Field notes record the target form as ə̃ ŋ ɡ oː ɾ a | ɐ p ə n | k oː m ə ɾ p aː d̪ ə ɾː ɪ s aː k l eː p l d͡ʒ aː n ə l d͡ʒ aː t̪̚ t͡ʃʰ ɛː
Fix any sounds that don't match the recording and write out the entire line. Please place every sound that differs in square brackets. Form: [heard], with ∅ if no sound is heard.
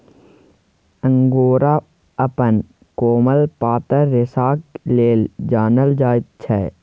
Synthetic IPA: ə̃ ŋ ɡ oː ɾ a | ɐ p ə n | k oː m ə [l] p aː [t̪] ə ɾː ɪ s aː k l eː [∅] l d͡ʒ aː n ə l d͡ʒ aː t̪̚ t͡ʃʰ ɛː